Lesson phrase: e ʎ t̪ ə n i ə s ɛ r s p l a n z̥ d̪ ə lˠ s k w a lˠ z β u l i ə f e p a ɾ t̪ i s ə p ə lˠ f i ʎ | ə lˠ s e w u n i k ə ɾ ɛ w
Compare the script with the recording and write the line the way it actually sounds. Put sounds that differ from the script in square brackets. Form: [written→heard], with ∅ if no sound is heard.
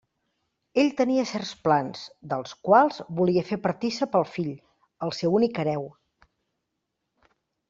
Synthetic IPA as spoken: e ʎ t̪ ə n i ə s ɛ r s p l a n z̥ d̪ ə lˠ s k w a lˠ z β u l i ə f e p [a→ə] ɾ t̪ i s ə p ə lˠ f i ʎ | ə lˠ s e w u n i k ə ɾ ɛ w